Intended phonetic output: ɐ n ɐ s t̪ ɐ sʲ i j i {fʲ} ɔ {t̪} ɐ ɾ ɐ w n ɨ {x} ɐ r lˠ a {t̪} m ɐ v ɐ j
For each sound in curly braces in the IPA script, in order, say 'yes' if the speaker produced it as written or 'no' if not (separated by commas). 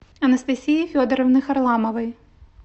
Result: yes, no, yes, no